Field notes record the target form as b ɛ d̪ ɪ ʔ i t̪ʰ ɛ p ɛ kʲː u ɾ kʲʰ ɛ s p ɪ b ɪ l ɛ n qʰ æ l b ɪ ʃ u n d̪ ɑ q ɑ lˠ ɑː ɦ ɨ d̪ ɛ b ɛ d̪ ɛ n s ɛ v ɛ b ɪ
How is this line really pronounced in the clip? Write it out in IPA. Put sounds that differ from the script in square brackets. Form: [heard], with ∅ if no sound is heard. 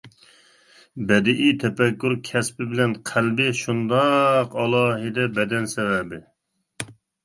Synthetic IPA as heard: b ɛ d̪ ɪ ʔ i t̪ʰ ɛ p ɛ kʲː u ɾ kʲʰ ɛ s p ɪ b ɪ l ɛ n qʰ æ l b ɪ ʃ u n d̪ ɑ q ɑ lˠ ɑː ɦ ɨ d̪ ɛ b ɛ d̪ ɛ n s ɛ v ɛ b ɪ